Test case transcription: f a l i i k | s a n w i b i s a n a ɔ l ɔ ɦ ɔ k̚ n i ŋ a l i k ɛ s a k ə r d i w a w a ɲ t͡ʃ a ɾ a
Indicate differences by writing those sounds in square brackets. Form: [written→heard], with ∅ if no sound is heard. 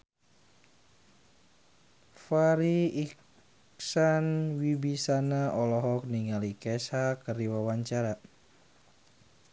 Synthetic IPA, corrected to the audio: f a [l→ɾ] i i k | s a n w i b i s a n a ɔ l ɔ ɦ ɔ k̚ n i ŋ a l i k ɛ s a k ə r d i w a w a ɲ t͡ʃ a ɾ a